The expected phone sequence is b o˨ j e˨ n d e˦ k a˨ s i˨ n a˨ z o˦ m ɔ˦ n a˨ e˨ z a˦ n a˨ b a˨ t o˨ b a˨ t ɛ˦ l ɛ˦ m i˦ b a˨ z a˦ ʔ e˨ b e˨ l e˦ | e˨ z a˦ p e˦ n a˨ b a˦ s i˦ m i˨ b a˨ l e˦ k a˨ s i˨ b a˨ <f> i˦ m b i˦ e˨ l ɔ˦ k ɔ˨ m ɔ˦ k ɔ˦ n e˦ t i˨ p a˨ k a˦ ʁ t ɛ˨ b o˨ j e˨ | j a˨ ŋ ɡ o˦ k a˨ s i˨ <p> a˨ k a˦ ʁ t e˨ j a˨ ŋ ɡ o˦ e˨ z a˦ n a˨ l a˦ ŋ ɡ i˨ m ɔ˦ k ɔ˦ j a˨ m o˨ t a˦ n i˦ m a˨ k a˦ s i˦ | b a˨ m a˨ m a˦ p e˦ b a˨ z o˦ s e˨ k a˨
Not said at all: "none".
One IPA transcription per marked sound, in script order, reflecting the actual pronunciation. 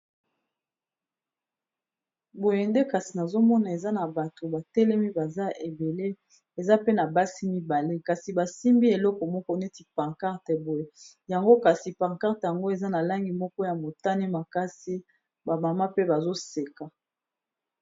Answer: s, p

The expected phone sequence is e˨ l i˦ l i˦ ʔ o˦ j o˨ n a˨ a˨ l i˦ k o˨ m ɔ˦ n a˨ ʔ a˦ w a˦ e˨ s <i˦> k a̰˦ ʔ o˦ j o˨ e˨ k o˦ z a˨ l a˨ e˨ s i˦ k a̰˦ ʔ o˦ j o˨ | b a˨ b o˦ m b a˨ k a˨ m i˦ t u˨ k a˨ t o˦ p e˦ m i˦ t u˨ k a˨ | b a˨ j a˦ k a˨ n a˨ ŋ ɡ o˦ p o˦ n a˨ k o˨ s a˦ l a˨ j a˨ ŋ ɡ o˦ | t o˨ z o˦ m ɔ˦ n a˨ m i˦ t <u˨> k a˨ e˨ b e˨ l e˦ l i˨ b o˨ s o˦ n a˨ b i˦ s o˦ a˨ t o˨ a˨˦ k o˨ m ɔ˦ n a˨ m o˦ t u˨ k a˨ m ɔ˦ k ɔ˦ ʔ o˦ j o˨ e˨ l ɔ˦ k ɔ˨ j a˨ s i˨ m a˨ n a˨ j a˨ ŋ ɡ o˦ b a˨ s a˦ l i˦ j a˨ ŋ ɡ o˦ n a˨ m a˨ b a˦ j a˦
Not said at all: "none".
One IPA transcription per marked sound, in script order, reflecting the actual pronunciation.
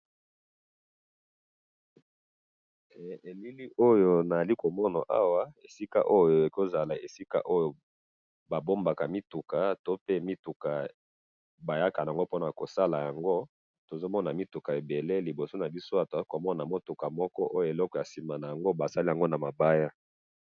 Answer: i˦, u˨

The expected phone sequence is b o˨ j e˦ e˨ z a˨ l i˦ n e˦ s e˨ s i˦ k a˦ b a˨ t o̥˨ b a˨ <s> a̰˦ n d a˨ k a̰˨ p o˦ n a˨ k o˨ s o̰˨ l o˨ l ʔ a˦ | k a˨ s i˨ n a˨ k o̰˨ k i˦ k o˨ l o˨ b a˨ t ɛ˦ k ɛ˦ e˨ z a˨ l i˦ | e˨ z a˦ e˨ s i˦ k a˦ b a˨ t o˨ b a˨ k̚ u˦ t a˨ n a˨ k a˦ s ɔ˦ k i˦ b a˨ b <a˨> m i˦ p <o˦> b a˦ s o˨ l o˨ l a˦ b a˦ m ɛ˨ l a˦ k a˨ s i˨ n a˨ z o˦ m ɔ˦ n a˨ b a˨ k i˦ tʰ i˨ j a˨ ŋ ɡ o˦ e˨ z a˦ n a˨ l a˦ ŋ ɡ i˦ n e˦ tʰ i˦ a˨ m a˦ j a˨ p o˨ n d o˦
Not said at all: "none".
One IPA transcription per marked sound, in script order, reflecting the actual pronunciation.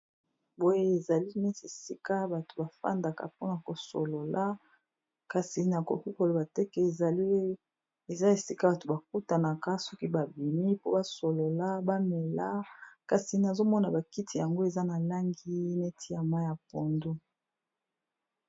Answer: f, i˨, o˦

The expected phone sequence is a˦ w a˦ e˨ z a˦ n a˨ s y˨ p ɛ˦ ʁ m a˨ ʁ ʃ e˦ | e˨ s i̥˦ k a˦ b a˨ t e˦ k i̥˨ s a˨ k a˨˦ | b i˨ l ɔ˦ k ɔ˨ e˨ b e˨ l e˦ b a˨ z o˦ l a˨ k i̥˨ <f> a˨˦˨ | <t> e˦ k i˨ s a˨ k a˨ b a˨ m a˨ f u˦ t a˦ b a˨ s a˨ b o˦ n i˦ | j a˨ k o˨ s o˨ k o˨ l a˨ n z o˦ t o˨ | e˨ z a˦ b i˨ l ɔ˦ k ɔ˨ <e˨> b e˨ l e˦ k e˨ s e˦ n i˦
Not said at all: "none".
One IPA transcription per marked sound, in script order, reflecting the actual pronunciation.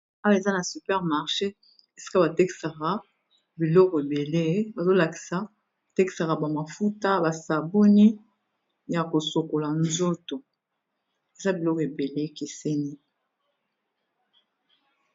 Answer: s, t, e˨

